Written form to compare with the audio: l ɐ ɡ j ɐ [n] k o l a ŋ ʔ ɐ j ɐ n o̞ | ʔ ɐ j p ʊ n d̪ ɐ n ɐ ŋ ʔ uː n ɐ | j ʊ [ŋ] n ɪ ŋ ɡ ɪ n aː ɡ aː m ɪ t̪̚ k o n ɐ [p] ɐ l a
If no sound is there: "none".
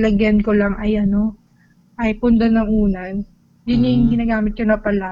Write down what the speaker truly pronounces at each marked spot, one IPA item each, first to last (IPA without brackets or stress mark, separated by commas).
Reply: n, none, p